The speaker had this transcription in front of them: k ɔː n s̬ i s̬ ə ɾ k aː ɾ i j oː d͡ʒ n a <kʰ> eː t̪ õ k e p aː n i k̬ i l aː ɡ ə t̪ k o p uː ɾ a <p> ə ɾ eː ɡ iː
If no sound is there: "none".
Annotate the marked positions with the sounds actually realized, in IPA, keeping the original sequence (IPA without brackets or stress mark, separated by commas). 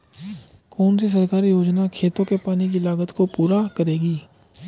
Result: kʰ, k